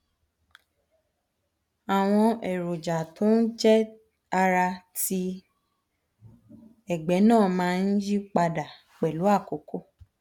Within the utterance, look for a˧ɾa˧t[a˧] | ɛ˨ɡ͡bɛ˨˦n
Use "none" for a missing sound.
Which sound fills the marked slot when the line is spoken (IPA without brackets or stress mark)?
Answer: i˧